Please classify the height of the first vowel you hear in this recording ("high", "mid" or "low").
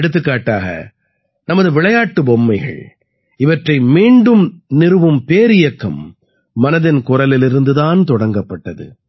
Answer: high